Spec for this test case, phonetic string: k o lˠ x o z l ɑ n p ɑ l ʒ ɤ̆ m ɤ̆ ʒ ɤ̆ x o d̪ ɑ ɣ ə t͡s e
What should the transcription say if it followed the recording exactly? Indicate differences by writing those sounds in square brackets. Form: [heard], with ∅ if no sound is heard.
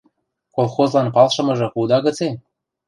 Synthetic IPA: k o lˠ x o z l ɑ n p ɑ l [ʃ] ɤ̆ m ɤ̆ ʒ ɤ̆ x [u] d̪ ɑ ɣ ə t͡s e